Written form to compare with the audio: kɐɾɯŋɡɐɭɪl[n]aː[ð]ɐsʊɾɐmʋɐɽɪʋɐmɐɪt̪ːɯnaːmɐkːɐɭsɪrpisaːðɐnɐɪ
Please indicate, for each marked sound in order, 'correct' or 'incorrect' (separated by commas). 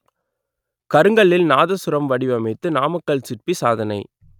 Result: correct, correct